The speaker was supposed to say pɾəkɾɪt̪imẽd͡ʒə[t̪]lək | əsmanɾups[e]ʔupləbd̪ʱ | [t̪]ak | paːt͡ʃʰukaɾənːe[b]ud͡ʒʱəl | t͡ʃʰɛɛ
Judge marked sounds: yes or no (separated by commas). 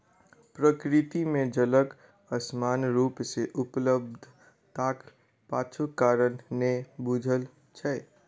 no, yes, yes, yes